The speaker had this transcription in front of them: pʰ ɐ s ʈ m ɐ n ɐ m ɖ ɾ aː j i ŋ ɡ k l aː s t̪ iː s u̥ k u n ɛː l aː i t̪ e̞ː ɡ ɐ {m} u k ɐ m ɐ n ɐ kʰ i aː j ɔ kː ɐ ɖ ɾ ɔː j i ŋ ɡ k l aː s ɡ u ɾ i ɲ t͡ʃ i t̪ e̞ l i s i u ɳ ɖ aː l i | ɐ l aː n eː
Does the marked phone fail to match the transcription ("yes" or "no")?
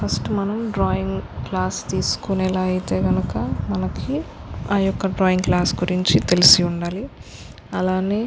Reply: yes